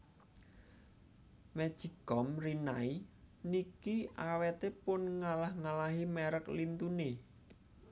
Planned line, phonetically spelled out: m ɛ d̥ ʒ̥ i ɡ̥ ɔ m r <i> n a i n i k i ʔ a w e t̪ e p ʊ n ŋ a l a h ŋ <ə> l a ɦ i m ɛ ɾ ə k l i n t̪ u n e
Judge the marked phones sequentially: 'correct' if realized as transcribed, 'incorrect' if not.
correct, incorrect: a

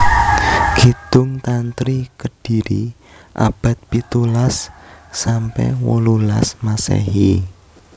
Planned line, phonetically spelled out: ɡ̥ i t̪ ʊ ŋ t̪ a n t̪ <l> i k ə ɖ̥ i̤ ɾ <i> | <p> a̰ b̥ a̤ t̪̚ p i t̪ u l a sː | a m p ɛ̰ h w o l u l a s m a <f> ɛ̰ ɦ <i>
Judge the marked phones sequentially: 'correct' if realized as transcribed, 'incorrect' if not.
incorrect: ɾ, correct, incorrect: ʔ, incorrect: s, correct

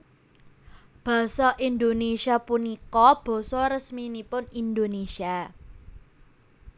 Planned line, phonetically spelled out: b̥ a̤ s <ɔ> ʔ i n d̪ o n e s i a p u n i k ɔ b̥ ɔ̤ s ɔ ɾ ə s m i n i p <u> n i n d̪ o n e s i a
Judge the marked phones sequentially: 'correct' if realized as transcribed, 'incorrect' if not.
correct, incorrect: ʊ

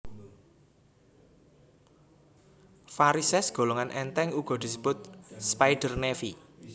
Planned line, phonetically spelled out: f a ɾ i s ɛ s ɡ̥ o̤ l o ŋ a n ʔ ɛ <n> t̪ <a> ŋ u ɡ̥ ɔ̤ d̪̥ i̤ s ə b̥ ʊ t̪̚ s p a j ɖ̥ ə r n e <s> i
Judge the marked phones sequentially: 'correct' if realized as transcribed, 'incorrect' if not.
correct, incorrect: ɛ, incorrect: f

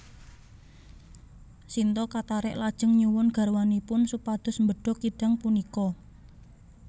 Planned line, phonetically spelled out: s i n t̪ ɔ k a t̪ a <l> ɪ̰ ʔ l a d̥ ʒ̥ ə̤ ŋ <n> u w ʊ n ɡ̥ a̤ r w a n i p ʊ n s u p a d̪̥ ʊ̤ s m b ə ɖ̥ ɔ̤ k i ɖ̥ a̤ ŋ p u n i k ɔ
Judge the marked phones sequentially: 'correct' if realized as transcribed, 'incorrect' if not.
incorrect: ɾ, incorrect: ɲ

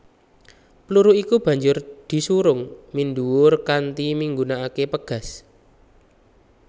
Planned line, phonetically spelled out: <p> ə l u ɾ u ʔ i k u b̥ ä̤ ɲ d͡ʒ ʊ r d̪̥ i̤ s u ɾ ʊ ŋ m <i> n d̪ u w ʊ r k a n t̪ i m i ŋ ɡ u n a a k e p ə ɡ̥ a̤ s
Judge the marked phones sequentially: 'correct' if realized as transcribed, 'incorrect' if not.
correct, correct

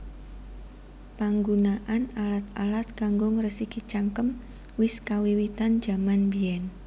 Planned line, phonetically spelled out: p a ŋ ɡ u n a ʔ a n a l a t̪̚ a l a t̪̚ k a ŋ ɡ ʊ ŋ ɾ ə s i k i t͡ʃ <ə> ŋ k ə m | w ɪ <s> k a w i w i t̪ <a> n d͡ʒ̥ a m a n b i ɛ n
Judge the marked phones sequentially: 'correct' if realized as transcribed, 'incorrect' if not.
incorrect: a, correct, correct

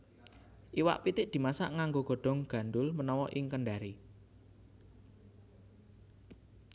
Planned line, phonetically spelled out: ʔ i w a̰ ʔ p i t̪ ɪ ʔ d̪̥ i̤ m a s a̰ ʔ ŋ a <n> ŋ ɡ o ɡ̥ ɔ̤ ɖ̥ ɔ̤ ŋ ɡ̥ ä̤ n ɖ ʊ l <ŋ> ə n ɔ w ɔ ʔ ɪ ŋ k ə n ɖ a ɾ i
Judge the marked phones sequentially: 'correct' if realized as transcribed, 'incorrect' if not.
incorrect: none, incorrect: m

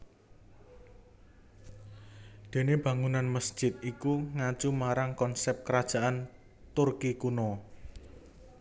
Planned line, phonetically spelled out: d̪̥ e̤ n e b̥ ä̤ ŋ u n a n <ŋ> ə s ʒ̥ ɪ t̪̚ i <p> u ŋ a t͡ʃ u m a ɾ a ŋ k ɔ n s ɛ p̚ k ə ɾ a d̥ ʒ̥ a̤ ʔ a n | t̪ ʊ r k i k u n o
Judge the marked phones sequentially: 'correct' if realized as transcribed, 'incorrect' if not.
incorrect: m, incorrect: k

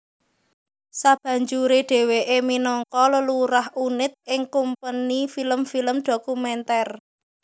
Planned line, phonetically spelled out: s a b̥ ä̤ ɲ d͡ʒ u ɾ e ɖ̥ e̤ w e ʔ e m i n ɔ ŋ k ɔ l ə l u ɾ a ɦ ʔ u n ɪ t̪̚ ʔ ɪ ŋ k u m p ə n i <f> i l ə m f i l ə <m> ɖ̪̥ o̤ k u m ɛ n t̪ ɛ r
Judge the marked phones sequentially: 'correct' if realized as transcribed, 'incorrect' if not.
correct, correct

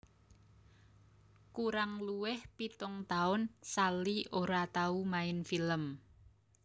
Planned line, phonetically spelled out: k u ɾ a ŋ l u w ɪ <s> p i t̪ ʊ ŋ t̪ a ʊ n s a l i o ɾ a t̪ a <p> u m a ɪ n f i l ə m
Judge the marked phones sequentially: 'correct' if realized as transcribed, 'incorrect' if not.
incorrect: h, incorrect: none

